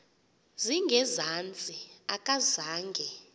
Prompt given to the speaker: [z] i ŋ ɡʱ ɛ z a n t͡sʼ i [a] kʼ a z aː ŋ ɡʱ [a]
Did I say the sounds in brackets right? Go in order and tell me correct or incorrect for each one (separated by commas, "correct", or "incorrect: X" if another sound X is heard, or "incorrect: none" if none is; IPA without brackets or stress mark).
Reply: correct, correct, incorrect: ɛ